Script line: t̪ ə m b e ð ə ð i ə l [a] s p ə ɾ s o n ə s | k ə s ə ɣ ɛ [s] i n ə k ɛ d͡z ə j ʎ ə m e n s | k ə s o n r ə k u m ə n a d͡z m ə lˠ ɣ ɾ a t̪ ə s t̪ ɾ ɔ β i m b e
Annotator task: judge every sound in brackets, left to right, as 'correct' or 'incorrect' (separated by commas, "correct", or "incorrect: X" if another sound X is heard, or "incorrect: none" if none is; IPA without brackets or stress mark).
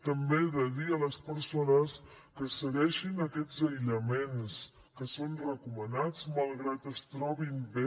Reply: incorrect: ə, incorrect: ʃ